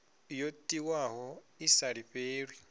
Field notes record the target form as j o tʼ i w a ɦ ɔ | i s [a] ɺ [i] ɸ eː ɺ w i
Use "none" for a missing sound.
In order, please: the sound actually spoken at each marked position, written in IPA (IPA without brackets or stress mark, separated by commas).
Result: a, i